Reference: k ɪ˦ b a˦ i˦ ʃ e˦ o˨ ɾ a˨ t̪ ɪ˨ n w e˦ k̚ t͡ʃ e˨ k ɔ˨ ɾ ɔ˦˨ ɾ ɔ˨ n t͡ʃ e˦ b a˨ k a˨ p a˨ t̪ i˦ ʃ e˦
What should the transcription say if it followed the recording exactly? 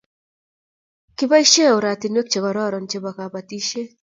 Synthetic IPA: k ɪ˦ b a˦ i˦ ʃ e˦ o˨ ɾ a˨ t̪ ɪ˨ n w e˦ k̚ t͡ʃ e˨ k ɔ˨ ɾ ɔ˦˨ ɾ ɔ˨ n t͡ʃ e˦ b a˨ k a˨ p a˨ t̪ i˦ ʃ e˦